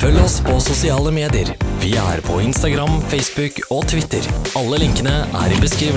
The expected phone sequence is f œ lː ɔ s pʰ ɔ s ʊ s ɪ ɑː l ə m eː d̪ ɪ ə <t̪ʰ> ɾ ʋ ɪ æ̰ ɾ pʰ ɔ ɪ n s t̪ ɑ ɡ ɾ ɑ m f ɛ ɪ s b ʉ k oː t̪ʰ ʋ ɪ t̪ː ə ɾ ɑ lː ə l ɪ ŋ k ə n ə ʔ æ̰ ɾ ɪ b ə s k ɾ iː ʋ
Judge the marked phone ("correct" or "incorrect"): incorrect